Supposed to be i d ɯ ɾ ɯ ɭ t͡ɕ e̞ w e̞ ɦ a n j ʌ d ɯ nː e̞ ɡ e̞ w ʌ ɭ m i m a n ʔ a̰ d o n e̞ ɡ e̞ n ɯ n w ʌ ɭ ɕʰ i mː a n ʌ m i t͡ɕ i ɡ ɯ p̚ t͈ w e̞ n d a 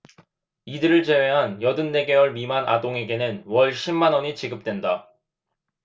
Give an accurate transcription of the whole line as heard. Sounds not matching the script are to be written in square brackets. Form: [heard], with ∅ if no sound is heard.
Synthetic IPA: i d ɯ ɾ ɯ ɭ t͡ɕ e̞ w e̞ ɦ a n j ʌ d ɯ nː e̞ ɡ e̞ w ʌ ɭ m i m a n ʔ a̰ d o [ŋ] e̞ ɡ e̞ n ɯ n w ʌ ɭ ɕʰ i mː a n ʌ [ɲ] i t͡ɕ i ɡ ɯ p̚ t͈ w e̞ n d a